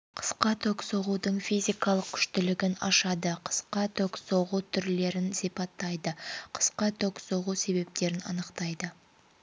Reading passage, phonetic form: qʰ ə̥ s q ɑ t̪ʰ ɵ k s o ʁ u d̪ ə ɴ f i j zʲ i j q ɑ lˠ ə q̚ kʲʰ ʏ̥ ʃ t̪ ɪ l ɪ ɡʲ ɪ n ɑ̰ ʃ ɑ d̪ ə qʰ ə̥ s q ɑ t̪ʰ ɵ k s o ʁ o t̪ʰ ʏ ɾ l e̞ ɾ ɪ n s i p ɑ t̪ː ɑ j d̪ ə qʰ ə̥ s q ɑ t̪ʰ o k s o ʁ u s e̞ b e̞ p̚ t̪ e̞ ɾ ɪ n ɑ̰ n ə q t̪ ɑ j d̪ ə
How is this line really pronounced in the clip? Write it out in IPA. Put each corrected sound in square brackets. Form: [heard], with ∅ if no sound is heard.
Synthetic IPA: qʰ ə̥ s q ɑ t̪ʰ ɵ k s o ʁ u d̪ ə ɴ f i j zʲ i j [k] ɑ lˠ ə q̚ kʲʰ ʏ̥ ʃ t̪ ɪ l ɪ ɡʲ ɪ n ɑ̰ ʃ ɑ d̪ ə qʰ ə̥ s q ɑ t̪ʰ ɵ k s o ʁ [u] t̪ʰ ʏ ɾ l e̞ ɾ ɪ n s i p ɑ t̪ː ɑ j d̪ ə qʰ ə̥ s q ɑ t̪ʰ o k s o ʁ u s e̞ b e̞ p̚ t̪ e̞ ɾ ɪ n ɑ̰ n ə q t̪ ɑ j d̪ ə